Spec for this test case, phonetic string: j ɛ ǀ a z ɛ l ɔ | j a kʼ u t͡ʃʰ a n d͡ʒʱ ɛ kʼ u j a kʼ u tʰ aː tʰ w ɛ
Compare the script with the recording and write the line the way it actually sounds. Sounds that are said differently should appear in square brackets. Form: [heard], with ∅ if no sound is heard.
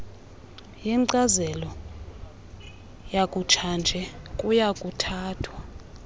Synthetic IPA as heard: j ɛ ǀ a z ɛ l ɔ | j a kʼ u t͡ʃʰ a n d͡ʒʱ ɛ kʼ u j a kʼ u tʰ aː tʰ w [a]